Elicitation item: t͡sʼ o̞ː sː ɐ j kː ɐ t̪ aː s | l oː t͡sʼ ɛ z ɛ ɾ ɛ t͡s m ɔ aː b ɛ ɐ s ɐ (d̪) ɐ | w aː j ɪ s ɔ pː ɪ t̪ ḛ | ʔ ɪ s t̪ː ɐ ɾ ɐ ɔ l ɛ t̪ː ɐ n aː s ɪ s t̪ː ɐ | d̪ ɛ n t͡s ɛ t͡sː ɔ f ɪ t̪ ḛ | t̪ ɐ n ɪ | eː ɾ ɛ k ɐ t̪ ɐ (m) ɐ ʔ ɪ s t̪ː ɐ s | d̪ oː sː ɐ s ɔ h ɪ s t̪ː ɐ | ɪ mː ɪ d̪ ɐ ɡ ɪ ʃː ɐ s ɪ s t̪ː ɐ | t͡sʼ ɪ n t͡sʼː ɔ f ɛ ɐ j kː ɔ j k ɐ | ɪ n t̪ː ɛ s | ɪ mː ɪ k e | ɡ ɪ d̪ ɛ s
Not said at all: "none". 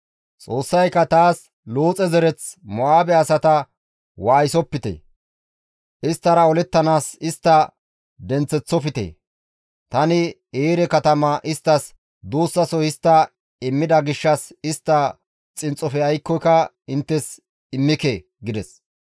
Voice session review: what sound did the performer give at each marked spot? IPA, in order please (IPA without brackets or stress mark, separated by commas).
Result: t̪, m